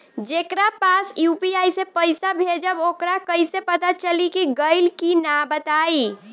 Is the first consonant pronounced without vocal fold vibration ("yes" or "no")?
no